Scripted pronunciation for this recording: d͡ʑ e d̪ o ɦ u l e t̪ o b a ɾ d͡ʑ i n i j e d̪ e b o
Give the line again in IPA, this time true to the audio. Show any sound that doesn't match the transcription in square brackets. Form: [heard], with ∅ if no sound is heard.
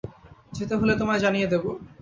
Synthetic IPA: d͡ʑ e [t̪] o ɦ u l e t̪ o [m] a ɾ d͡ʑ [a] n i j e d̪ e b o